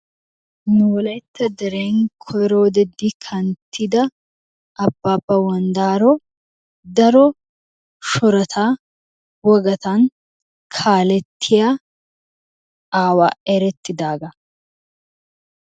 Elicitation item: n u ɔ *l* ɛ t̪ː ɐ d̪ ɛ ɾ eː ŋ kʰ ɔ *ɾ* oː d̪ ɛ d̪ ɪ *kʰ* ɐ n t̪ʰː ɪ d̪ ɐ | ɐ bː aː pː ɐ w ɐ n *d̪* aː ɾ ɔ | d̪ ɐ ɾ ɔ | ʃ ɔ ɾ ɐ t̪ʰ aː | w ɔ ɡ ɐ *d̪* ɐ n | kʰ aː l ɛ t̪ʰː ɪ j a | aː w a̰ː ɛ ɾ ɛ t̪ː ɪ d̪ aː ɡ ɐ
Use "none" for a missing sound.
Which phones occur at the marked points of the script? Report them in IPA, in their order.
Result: l, ɾ, kʰ, d̪, t̪

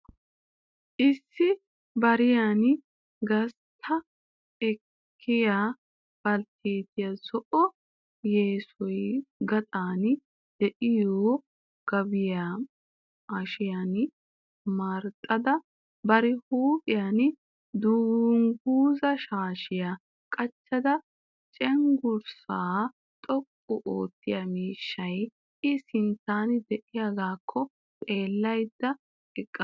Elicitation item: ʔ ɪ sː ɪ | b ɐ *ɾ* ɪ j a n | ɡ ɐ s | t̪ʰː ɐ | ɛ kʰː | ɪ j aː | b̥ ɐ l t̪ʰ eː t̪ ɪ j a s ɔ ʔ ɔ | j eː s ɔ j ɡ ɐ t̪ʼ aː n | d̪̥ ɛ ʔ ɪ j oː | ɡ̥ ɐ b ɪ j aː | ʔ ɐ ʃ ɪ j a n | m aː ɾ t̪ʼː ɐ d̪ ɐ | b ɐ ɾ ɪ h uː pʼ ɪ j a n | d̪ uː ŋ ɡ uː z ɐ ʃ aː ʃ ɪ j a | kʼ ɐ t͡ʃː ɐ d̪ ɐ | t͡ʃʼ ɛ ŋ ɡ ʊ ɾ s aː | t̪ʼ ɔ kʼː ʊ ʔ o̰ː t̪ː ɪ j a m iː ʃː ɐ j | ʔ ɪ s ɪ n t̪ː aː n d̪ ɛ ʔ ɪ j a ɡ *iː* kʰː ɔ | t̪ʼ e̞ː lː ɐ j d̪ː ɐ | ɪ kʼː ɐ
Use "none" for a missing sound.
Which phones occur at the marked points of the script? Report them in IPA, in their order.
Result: ɾ, aː

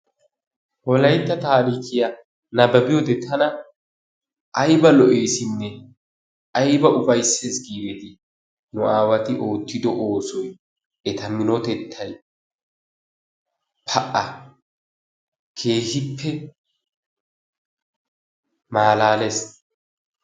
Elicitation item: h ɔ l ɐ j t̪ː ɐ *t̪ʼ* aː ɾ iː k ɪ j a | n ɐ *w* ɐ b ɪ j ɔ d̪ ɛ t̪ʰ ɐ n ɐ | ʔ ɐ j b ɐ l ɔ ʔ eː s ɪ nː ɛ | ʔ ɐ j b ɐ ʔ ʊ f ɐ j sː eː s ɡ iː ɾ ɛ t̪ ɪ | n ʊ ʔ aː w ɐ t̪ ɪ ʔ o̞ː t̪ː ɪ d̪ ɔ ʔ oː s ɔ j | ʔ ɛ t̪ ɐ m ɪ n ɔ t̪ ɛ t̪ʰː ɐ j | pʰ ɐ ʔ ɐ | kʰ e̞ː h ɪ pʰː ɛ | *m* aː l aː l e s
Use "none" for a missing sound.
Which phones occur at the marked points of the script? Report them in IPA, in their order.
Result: t̪, b, m

